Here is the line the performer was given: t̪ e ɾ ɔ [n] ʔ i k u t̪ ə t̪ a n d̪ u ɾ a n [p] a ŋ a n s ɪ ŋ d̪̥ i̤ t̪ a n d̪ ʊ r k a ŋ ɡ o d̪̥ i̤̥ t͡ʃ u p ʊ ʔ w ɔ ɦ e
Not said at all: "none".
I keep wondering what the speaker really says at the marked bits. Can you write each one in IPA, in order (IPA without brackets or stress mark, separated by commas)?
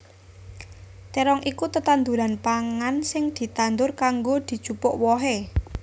ŋ, p